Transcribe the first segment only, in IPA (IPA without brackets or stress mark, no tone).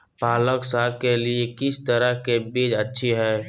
p